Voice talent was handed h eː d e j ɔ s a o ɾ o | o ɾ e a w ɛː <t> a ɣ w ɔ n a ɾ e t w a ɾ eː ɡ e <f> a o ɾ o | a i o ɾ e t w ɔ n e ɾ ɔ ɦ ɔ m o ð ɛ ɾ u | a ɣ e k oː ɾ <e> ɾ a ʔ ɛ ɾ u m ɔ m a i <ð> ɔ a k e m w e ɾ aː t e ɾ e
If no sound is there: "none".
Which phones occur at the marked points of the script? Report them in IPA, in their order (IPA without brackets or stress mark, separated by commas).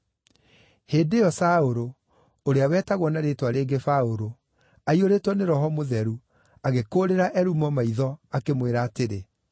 t, f, e, ð